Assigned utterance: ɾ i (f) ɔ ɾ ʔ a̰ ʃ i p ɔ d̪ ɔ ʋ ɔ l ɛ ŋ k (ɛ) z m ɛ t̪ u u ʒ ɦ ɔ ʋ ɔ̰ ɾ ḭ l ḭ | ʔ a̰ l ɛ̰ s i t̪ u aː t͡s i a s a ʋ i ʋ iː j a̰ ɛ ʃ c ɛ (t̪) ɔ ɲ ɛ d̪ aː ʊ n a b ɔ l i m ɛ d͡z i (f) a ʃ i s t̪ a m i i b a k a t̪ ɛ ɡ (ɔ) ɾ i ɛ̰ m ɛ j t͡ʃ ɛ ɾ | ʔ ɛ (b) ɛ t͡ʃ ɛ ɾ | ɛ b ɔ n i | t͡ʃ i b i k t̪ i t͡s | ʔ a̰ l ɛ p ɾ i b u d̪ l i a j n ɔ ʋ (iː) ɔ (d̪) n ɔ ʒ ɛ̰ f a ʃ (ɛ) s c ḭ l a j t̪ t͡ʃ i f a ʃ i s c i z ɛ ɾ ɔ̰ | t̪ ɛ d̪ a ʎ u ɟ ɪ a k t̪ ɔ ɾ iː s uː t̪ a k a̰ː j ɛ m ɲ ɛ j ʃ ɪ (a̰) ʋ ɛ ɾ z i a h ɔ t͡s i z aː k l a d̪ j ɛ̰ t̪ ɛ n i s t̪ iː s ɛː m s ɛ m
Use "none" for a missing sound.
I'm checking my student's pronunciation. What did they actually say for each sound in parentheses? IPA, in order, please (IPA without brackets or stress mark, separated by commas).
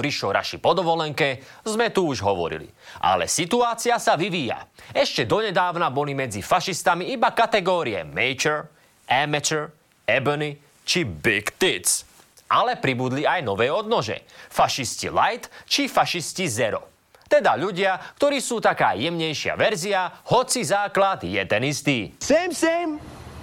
ʃ, ɛ, d̪, f, ɔː, m, ɛː, d̪, i, a̰